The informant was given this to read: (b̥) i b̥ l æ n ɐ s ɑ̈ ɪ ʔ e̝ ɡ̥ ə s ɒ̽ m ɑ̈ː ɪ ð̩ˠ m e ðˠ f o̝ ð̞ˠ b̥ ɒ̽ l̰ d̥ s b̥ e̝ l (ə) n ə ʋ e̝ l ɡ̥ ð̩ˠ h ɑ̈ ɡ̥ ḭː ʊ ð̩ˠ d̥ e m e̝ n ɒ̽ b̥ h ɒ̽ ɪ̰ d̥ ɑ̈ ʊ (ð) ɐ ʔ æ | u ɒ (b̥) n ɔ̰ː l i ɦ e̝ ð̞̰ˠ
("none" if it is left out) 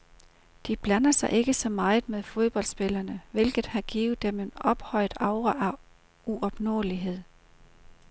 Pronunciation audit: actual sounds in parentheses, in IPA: d̥, ɐ, ʁ, b̥

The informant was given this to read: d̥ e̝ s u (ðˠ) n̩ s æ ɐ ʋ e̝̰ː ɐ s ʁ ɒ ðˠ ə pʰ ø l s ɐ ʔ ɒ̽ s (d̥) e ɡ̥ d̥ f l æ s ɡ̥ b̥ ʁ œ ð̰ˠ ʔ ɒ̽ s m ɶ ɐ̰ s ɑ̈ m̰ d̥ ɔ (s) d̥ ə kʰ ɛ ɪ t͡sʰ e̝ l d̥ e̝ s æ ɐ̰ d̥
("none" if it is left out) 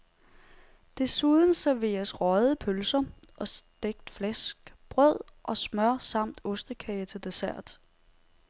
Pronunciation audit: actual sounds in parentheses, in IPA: ðˠ, d̥, s

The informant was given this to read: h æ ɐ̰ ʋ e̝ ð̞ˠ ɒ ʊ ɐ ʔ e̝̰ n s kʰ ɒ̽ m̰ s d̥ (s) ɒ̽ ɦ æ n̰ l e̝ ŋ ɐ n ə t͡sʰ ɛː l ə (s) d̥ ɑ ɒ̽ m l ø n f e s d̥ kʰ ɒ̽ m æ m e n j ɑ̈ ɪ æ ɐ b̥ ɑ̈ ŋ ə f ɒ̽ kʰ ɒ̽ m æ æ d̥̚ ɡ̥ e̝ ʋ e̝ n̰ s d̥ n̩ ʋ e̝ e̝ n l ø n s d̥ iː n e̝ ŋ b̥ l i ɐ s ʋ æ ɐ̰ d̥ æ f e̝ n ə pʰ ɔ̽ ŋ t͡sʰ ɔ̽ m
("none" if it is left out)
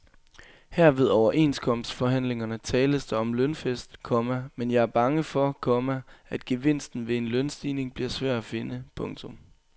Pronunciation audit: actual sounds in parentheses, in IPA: f, s

